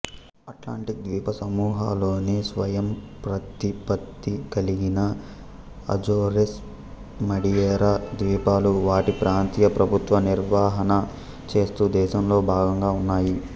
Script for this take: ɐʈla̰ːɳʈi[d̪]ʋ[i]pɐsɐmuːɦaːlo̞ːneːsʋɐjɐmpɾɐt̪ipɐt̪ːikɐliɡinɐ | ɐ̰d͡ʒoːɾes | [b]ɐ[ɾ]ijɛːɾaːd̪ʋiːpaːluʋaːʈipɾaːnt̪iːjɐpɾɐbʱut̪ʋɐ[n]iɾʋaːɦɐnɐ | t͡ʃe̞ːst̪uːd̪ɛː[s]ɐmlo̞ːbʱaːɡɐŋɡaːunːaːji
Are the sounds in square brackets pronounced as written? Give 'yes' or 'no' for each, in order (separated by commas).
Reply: yes, no, no, no, yes, no